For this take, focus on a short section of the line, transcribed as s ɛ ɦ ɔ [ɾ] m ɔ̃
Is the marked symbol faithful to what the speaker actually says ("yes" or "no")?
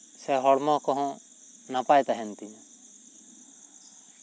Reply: no